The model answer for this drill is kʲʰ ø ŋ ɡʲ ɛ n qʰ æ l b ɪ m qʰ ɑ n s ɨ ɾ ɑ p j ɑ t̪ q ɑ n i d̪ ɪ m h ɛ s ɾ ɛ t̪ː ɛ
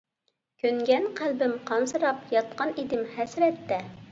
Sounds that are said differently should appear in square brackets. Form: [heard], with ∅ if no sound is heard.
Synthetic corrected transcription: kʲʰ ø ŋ ɡʲ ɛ n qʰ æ l b ɪ m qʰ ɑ n s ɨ ɾ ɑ p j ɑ t̪ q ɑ n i d̪ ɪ m h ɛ s ɾ ɛ t̪ː ɛ